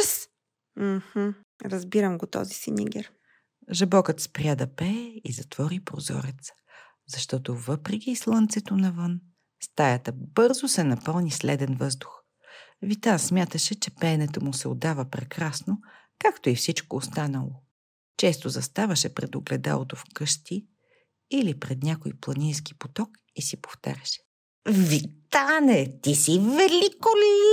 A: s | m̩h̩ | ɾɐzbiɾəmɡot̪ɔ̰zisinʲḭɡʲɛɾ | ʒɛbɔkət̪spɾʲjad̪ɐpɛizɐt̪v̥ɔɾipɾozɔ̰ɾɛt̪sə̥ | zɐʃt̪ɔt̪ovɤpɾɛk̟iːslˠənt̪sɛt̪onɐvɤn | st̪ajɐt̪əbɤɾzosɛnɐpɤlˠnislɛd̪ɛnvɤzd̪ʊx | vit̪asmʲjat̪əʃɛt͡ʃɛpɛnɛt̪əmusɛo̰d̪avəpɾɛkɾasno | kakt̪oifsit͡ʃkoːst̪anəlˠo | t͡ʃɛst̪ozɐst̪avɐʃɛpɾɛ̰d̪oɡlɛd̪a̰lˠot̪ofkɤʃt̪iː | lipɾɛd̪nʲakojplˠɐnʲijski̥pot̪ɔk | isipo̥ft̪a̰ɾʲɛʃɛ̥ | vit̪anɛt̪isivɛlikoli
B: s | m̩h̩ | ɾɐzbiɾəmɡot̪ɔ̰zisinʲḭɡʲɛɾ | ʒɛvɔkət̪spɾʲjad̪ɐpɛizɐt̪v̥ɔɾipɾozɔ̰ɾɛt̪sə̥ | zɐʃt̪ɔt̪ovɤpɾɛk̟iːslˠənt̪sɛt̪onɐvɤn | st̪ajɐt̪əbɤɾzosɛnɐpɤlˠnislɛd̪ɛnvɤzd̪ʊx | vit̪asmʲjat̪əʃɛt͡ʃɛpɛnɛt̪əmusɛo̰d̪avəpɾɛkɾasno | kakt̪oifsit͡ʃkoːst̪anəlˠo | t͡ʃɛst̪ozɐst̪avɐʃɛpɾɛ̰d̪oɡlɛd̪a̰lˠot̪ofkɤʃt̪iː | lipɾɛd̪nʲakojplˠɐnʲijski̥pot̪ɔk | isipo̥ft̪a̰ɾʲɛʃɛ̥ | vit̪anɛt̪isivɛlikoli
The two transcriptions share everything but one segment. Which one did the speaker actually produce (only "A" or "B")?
A